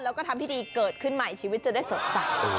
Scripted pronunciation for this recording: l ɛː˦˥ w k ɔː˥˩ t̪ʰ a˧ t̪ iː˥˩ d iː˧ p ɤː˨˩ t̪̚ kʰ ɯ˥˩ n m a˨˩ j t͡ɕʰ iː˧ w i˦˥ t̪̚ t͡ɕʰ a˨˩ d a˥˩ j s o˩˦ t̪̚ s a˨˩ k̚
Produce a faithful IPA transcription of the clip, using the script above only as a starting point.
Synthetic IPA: l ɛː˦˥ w k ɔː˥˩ t̪ʰ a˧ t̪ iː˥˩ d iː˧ k ɤː˨˩ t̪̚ kʰ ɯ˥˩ n m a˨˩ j t͡ɕʰ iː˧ w i˦˥ t̪̚ t͡ɕ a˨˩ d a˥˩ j s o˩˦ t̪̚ s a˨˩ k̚